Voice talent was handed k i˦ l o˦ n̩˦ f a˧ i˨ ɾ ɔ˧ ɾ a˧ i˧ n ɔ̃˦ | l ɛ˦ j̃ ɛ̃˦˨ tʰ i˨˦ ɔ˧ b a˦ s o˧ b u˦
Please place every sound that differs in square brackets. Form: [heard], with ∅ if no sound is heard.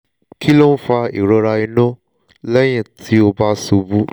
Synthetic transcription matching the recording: k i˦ l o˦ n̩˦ f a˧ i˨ ɾ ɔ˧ ɾ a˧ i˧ n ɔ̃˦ | l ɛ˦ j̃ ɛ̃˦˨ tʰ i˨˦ [o˧] b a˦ s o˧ b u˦